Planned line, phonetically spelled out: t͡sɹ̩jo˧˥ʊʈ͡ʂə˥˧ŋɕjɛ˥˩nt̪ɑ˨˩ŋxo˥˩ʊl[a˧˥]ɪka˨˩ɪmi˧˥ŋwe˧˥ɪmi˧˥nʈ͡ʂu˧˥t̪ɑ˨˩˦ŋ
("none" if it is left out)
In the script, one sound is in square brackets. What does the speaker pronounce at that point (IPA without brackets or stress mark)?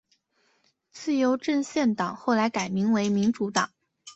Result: a˧˥